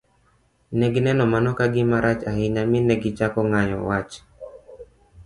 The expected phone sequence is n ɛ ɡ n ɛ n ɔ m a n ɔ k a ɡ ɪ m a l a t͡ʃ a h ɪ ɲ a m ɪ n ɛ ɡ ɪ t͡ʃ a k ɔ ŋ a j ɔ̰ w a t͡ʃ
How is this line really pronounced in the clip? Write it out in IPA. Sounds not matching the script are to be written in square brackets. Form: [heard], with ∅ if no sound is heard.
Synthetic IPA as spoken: n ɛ ɡ n ɛ n ɔ m a n ɔ k a ɡ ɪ m a [ɾ] a t͡ʃ a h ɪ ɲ a m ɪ n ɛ ɡ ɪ t͡ʃ a k ɔ ŋ a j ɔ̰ w a t͡ʃ